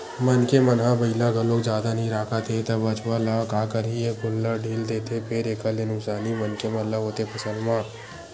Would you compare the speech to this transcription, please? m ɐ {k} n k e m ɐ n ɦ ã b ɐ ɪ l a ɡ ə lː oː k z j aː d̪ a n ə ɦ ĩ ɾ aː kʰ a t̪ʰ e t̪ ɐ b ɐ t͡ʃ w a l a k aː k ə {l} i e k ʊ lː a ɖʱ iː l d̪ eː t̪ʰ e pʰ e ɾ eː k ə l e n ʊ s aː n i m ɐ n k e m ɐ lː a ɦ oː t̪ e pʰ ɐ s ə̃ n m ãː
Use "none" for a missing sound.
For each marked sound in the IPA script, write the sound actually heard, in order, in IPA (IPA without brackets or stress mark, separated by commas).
none, ɾ